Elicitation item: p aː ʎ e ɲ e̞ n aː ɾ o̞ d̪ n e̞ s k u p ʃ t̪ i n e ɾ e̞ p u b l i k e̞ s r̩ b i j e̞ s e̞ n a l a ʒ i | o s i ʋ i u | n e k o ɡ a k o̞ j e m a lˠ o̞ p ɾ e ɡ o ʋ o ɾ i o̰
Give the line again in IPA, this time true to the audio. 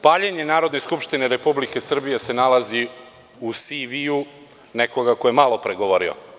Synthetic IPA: p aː ʎ e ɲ e̞ n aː ɾ o̞ d̪ n e̞ s k u p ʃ t̪ i n e ɾ e̞ p u b l i k e̞ s r̩ b i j e̞ s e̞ n a l a z i | u s i ʋ i u | n e k o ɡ a k o̞ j e m a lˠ o̞ p ɾ e ɡ o ʋ o ɾ i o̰